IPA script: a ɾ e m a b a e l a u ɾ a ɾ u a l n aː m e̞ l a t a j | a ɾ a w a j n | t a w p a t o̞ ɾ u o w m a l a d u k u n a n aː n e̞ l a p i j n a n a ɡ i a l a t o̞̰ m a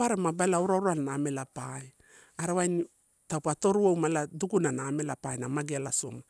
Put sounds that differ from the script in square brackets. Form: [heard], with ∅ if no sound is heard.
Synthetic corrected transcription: a ɾ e m a b a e l a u ɾ a ɾ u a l n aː m e̞ l a [p] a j | a ɾ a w a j n | t a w p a t o̞ ɾ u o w m a l a d u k u n a n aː [m] e̞ l a p [a] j n a [m] a ɡ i a l a [s] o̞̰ m a